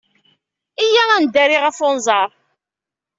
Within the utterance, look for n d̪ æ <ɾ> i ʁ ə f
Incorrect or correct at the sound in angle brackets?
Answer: correct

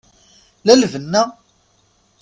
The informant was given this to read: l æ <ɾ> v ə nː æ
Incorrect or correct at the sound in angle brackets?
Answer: incorrect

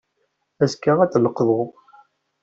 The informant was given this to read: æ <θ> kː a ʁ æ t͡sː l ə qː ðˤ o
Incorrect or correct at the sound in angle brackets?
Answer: incorrect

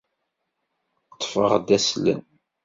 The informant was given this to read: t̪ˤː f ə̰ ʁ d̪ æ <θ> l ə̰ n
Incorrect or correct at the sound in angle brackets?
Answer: incorrect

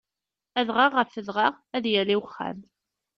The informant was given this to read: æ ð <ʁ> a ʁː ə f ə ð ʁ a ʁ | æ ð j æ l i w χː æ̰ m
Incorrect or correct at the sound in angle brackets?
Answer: correct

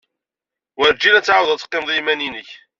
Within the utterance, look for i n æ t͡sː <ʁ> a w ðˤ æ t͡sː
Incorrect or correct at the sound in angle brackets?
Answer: incorrect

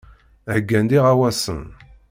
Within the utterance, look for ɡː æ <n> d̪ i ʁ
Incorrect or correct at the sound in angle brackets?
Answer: correct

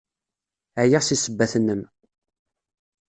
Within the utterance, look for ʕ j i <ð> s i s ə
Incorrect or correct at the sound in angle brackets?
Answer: incorrect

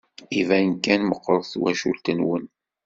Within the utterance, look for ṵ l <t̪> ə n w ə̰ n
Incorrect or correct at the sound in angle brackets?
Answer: correct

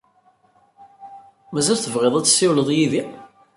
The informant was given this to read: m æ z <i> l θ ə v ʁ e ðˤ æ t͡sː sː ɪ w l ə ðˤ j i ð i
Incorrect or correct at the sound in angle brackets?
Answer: incorrect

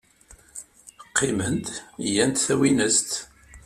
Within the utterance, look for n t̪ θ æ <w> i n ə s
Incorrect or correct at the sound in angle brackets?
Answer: correct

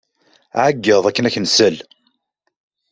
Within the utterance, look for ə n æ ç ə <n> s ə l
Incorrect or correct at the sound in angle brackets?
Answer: correct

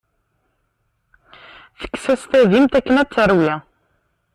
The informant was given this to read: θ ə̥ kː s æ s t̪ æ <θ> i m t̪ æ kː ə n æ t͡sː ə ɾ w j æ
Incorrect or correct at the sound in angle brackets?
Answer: incorrect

